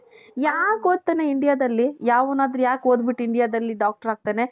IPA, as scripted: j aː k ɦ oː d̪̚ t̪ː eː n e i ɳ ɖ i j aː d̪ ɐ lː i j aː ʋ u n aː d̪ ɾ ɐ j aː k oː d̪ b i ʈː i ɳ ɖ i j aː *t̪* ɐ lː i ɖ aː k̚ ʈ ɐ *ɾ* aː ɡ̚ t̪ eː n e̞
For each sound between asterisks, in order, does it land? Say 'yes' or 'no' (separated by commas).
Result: no, yes